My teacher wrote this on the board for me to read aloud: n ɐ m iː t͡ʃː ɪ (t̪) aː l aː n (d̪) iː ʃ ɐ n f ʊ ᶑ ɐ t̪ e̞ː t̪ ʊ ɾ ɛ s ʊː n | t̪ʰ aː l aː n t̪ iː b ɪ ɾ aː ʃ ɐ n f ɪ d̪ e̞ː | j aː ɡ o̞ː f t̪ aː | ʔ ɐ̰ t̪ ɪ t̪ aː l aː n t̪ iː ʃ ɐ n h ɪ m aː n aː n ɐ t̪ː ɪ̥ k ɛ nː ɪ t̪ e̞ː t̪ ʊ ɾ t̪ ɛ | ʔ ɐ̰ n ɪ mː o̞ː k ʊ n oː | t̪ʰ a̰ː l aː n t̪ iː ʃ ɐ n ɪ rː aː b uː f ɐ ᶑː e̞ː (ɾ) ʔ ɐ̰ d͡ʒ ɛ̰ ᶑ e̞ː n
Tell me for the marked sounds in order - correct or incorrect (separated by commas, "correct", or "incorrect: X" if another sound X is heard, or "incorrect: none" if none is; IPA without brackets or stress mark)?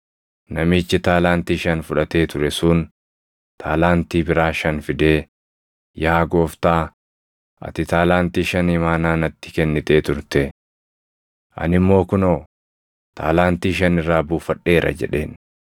correct, incorrect: t̪, correct